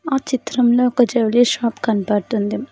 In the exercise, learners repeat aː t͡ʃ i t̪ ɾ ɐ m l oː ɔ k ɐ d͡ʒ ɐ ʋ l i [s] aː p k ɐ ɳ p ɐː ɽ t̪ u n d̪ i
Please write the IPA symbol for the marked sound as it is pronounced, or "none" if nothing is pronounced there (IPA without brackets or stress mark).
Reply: ʃ